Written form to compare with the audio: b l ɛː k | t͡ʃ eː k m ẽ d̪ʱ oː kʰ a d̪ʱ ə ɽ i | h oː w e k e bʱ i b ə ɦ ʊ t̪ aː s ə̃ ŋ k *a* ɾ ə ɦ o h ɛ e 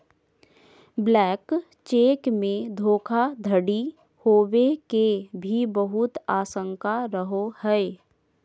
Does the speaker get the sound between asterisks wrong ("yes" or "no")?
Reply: no